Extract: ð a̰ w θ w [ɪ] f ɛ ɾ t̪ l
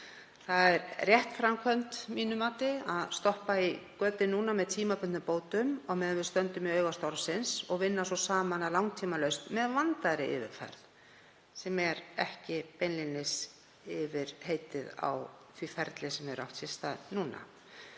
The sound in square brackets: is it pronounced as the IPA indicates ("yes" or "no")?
no